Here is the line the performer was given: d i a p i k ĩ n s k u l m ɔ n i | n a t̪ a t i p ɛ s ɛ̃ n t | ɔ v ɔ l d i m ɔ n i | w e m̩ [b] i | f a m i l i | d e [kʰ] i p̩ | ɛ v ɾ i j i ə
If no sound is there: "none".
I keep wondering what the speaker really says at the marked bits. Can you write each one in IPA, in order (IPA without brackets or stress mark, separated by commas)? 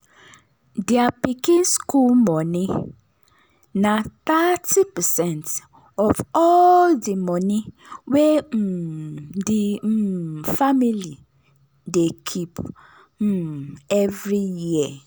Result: d, kʰ